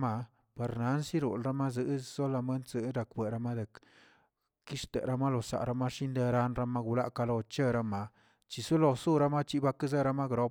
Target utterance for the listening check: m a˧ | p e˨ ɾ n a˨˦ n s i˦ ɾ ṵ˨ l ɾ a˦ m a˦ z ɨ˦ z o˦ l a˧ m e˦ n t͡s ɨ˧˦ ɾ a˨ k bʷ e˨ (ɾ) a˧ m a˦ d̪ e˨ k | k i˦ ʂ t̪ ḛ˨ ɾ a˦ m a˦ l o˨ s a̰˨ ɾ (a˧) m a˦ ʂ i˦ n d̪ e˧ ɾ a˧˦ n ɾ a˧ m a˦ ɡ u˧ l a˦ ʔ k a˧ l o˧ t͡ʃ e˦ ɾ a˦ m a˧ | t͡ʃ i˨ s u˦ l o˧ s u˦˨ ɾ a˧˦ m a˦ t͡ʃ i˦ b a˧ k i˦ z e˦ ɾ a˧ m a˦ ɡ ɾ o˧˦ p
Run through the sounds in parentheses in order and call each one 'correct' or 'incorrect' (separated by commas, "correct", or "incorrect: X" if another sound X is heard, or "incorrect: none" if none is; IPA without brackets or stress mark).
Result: correct, correct